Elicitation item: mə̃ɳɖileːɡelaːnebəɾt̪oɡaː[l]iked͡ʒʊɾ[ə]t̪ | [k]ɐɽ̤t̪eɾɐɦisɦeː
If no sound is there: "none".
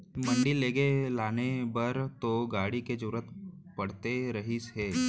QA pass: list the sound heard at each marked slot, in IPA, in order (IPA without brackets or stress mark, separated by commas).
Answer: ɽ, ə, p